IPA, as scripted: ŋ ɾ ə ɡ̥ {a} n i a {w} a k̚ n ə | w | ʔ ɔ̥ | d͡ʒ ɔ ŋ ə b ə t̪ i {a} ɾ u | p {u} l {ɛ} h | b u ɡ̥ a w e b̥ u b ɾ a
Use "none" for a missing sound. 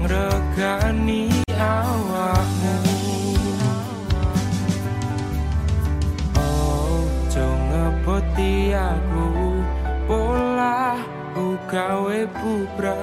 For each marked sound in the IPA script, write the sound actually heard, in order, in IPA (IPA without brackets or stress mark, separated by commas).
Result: a, w, a, o, a